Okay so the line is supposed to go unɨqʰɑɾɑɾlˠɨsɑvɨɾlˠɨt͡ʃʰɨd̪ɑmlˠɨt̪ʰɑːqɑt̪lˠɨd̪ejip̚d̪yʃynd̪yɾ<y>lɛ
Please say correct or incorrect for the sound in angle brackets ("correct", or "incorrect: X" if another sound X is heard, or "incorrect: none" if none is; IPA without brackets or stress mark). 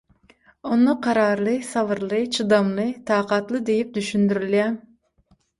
correct